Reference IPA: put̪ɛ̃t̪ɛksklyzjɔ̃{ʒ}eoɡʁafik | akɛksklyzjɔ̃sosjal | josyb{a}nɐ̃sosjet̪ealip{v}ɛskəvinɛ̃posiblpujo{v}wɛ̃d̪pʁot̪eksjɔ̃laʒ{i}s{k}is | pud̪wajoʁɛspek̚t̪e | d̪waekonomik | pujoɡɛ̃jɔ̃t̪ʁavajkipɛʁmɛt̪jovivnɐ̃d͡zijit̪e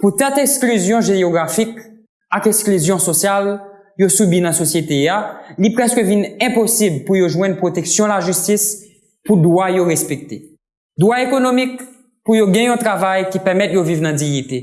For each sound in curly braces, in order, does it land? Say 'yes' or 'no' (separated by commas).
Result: yes, no, no, no, no, no